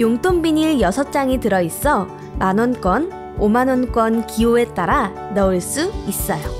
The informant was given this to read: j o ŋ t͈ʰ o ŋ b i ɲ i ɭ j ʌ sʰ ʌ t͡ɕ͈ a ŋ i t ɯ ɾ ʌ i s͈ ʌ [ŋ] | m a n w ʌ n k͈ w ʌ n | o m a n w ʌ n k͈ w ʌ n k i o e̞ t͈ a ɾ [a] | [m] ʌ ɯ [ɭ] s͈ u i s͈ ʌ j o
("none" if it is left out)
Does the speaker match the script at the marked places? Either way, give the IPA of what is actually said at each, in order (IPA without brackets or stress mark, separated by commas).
none, a, n, ɭ